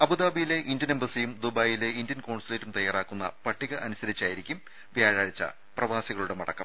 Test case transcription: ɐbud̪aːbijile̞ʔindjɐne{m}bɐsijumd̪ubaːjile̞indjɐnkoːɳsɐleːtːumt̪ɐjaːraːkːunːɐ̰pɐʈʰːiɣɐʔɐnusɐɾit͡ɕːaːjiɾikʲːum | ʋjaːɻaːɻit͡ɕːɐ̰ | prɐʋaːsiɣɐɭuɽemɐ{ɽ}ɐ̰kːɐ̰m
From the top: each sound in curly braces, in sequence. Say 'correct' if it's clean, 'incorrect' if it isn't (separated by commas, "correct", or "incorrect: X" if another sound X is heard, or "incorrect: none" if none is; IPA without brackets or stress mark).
correct, correct